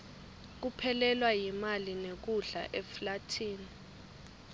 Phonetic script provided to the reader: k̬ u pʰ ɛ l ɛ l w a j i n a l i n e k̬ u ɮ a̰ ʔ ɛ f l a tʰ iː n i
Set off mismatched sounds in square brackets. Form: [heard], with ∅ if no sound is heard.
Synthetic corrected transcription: k̬ u pʰ ɛ l ɛ l w a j i [m] a l i n e k̬ u ɮ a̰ ʔ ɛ f l a tʰ iː n i